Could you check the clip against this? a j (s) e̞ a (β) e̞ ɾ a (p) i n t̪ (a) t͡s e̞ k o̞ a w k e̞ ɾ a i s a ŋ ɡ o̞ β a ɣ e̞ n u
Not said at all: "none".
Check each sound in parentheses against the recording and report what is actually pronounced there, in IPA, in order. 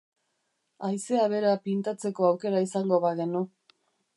s, β, p, a

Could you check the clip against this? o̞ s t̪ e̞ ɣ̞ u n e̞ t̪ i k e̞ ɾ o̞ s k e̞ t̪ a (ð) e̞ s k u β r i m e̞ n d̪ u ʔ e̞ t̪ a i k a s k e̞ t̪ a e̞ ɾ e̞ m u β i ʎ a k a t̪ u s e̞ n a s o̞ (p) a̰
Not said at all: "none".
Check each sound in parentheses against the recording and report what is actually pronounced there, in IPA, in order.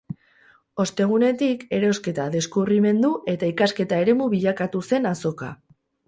ð, k

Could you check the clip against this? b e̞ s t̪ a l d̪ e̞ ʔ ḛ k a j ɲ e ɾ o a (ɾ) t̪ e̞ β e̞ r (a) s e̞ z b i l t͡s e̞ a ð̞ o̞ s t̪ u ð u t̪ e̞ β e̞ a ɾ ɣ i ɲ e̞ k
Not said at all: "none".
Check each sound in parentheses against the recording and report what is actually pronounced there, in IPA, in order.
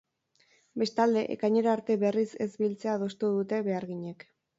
ɾ, i

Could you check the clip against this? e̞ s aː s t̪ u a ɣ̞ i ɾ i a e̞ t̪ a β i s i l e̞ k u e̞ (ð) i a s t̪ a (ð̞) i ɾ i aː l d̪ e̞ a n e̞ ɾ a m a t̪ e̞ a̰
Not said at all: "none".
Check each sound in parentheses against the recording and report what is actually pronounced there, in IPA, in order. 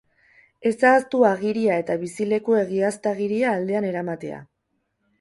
ɣ, ɣ̞

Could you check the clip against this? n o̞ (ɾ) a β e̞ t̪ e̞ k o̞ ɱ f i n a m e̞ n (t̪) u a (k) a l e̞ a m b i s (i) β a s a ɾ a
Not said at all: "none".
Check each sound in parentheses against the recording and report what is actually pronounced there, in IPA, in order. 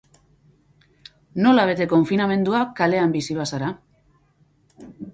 l, d̪, k, i

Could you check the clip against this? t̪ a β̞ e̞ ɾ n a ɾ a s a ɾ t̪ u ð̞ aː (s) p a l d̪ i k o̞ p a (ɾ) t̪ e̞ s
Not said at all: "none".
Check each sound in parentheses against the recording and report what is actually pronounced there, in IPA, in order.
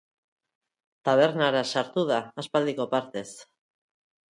s, ɾ

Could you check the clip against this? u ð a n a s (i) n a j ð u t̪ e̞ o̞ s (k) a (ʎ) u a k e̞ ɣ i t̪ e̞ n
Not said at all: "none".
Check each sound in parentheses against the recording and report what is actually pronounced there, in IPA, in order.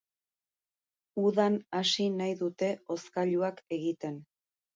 i, k, ʎ

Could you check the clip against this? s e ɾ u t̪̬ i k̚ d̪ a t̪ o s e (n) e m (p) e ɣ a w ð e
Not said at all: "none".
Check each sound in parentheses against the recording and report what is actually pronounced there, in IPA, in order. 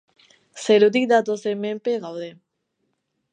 m, p

